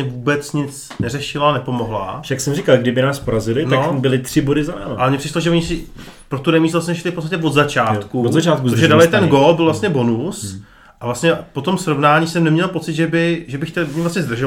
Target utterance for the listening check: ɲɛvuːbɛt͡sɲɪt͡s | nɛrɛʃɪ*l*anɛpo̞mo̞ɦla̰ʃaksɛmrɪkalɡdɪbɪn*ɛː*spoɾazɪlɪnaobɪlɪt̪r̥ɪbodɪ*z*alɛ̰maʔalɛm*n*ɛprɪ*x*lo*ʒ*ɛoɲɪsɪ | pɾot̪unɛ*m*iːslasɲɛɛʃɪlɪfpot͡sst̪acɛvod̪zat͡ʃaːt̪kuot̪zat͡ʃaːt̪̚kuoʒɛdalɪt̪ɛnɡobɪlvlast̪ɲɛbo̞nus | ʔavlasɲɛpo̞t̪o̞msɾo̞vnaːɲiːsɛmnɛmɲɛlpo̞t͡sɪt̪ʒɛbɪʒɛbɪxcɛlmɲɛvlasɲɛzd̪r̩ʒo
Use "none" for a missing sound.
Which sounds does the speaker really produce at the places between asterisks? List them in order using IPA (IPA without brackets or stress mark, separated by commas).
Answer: l, aː, z, ɲ, ʃ, ʒ, m